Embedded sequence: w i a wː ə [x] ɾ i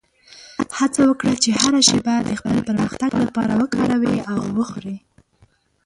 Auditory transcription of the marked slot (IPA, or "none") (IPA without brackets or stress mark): x